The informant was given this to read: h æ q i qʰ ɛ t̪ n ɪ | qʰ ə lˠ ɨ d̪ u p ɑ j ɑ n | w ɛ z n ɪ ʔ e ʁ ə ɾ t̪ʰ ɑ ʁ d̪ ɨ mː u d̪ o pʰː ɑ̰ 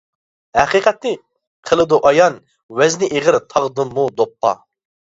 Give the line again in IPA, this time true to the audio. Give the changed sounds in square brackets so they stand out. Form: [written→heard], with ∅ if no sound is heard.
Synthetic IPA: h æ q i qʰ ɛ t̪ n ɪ | qʰ ə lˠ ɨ d̪ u [p→ʔ] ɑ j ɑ n | w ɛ z n ɪ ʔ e ʁ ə ɾ t̪ʰ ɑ ʁ d̪ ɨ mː u d̪ o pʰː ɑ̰